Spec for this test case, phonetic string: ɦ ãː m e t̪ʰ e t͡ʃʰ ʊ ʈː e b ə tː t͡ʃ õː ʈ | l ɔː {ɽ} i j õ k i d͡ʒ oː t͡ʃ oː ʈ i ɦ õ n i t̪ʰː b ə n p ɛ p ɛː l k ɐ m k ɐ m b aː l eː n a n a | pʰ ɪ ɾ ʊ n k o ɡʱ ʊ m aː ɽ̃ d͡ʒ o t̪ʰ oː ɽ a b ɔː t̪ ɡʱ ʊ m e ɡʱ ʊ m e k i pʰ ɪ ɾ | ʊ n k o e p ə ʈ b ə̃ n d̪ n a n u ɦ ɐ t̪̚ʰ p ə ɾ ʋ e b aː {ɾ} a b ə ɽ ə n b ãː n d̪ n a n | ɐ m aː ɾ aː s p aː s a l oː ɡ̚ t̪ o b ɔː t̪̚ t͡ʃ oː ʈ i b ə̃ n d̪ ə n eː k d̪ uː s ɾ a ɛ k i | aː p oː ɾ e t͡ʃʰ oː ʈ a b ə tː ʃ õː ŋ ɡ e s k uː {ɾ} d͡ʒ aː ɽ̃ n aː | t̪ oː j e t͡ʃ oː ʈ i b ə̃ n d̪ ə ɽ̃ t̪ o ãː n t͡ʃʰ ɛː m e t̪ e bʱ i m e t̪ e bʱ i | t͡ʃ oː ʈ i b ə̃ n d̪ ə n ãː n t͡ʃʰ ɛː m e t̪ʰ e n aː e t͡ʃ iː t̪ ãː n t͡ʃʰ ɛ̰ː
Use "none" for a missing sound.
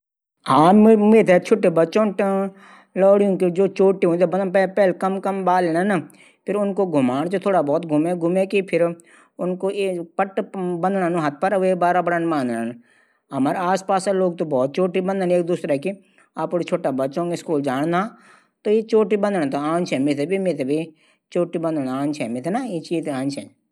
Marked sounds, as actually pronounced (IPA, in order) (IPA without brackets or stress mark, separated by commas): ɽ, ɾ, l